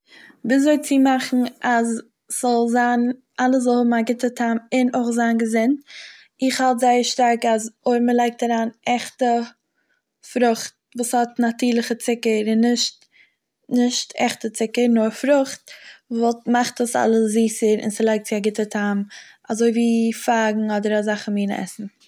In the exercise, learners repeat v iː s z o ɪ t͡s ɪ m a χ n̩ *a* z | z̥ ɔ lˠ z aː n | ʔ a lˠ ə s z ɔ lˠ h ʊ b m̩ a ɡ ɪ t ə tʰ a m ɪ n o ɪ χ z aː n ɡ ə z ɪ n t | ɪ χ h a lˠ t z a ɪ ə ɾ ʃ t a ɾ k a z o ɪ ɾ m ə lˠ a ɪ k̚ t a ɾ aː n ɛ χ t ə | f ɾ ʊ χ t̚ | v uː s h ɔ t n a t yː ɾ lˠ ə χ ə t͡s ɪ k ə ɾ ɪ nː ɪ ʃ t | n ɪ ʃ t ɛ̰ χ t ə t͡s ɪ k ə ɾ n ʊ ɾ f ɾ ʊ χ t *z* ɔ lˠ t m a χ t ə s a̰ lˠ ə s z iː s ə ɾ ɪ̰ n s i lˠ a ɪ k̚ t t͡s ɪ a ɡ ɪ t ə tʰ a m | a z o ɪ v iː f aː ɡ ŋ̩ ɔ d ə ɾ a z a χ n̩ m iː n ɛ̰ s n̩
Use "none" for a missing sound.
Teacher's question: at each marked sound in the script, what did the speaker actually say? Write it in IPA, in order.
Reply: a, v

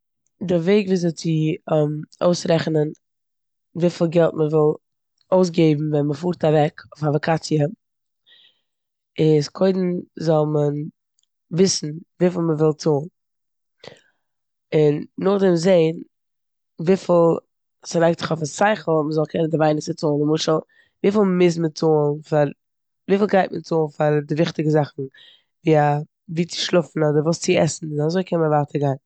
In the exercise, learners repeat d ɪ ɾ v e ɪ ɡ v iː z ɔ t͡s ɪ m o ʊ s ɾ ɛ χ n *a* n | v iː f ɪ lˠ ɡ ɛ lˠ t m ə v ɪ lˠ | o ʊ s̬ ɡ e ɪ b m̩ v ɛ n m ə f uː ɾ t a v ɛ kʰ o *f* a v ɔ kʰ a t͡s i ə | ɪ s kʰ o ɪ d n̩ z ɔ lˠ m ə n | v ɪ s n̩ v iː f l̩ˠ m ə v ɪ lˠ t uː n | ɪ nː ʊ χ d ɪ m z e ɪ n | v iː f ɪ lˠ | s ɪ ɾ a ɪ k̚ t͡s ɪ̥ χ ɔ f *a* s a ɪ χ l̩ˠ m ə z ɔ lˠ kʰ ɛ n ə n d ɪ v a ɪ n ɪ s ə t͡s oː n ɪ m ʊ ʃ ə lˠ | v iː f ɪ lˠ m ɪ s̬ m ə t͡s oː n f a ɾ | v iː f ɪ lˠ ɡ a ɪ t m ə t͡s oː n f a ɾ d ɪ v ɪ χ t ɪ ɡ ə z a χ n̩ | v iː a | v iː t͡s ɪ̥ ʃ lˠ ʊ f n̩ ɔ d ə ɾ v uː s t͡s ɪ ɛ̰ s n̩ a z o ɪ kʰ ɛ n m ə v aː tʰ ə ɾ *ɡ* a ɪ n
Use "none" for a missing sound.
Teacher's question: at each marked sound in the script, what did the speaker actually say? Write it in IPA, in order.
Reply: ə, f, a, ɡ

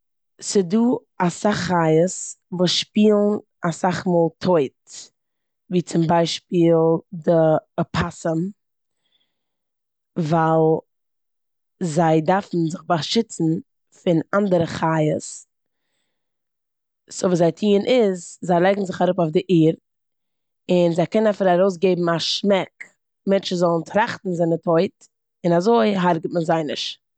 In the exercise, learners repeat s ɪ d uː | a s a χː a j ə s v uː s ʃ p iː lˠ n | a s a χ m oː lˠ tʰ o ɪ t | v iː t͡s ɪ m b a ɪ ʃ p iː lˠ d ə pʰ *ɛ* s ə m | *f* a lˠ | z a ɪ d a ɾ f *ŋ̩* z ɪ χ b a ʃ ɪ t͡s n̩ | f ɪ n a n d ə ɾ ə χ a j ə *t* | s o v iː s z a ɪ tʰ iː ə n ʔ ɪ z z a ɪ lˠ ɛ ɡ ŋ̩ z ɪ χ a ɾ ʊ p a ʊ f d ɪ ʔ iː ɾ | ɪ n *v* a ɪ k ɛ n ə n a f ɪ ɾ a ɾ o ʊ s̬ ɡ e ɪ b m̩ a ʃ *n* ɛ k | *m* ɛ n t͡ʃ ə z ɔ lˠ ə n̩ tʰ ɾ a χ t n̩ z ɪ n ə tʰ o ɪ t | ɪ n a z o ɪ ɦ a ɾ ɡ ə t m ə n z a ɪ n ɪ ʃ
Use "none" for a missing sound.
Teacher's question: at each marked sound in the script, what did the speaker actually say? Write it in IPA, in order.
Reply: a, v, n̩, s, z, m, m

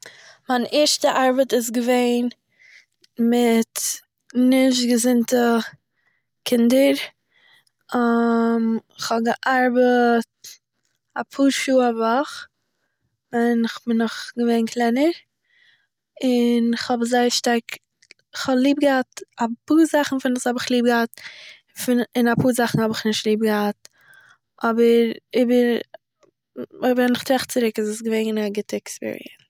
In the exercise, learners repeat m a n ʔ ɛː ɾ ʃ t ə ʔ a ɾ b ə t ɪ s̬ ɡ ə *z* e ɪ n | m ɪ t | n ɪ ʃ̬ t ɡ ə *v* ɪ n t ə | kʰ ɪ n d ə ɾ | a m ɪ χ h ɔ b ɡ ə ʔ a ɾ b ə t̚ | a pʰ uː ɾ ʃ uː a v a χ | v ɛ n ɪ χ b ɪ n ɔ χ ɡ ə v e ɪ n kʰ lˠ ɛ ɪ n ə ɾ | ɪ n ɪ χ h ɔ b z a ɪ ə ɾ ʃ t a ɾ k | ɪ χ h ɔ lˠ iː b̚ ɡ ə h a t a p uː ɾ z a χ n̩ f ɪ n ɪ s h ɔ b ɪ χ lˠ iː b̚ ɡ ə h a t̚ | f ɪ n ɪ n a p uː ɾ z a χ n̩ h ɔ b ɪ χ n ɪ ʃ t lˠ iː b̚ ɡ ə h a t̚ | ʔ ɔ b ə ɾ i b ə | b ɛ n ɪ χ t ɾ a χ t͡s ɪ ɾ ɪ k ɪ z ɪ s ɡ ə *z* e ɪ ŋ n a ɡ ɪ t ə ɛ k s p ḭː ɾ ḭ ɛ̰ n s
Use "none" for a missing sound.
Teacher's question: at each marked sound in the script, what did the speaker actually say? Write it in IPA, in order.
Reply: v, z, v

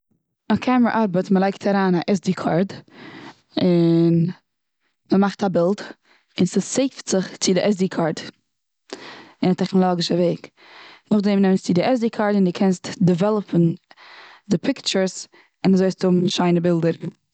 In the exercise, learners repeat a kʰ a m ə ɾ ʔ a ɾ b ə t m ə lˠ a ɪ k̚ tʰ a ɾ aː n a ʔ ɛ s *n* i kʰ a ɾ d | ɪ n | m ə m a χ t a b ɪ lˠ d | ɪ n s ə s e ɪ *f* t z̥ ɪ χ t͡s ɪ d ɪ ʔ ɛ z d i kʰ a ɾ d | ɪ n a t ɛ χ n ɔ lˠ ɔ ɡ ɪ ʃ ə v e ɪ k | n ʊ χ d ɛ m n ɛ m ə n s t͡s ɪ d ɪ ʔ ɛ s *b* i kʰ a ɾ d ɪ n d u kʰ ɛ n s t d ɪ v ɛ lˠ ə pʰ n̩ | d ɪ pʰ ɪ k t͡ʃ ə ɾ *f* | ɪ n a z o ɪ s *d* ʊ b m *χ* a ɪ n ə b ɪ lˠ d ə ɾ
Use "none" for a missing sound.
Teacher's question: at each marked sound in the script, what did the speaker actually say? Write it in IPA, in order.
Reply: d, f, d, s, t, ʃ

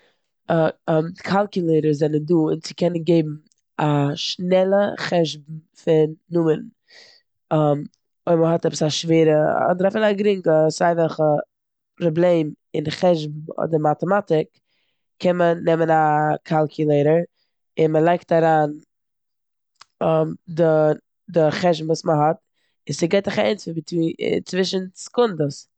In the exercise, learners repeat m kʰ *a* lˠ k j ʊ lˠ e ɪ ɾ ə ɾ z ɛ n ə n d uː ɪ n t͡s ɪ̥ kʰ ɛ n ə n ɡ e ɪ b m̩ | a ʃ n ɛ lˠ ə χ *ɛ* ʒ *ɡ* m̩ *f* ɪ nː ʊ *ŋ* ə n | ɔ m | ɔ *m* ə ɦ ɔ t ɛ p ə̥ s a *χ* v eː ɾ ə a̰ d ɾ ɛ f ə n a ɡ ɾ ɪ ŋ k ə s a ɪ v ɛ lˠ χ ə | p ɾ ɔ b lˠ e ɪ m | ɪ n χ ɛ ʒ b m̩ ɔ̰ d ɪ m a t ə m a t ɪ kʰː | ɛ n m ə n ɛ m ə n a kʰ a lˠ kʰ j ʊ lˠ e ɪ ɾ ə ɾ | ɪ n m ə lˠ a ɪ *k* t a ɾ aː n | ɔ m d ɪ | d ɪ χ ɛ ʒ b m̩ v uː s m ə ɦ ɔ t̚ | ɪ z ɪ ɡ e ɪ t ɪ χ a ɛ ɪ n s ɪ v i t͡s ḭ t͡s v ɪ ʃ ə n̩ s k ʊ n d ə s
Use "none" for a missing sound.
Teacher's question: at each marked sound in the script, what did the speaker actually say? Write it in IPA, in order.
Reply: a, ɛ, b, f, m, m, ʃ, k

